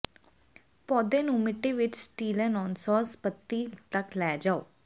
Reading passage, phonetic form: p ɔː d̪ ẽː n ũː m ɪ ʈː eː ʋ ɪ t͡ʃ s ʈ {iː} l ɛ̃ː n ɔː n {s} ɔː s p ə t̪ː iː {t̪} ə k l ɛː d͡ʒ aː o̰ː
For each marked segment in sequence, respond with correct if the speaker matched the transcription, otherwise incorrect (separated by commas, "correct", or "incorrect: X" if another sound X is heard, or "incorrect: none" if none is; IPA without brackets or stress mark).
correct, correct, correct